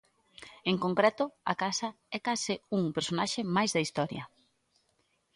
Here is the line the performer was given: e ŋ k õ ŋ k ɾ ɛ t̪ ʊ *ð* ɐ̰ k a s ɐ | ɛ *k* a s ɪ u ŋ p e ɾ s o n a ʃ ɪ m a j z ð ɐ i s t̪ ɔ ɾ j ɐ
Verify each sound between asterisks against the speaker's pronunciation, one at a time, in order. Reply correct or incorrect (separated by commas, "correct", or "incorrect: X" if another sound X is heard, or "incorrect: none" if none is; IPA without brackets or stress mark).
incorrect: none, correct